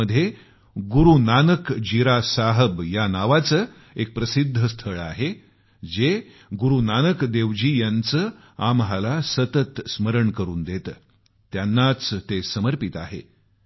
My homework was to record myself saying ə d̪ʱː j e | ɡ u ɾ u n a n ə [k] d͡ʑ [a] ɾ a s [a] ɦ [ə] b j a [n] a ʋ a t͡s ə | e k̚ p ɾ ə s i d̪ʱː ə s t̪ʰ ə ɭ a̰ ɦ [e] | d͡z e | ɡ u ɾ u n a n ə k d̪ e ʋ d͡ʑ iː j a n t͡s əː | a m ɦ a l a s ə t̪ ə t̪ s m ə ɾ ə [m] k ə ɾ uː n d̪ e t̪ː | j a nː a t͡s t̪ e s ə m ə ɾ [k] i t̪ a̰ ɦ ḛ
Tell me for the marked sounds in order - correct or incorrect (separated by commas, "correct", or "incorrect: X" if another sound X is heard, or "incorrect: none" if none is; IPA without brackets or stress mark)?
correct, incorrect: i, correct, correct, correct, correct, incorrect: ɳ, incorrect: p